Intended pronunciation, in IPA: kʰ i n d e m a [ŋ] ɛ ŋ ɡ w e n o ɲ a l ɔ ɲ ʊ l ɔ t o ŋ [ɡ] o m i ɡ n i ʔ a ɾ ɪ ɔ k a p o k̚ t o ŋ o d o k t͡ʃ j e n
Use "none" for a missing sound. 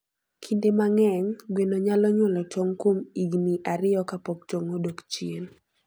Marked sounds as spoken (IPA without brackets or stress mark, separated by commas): ŋ, k